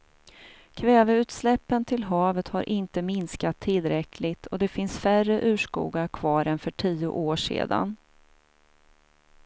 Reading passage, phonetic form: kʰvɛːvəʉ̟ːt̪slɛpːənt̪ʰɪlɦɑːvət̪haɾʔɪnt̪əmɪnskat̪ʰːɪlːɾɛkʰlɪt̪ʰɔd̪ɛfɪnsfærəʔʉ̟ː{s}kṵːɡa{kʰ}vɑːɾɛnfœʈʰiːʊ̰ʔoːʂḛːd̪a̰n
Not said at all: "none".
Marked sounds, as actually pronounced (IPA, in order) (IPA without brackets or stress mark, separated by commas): ʂ, kʰ